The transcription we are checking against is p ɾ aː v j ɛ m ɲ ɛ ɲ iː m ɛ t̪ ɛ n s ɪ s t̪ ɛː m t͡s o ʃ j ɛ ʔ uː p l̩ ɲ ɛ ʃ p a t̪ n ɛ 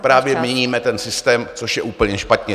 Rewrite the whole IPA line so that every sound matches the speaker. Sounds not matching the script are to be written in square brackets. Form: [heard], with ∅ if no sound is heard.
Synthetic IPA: p ɾ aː v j ɛ m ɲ ɛ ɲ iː m ɛ t̪ ɛ n s ɪ s t̪ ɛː m t͡s o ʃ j ɛ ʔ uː p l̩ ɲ ɛ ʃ p a t̪ [ɲ] ɛ